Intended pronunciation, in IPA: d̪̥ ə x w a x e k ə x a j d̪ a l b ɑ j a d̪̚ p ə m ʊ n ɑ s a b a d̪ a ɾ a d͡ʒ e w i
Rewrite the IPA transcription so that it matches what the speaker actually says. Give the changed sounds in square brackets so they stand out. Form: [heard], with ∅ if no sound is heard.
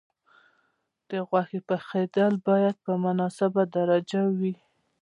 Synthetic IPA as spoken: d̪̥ ə [ɣ] w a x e [p] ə x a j d̪ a l b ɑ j a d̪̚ p ə m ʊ n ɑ s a b a d̪ a ɾ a d͡ʒ [a] w i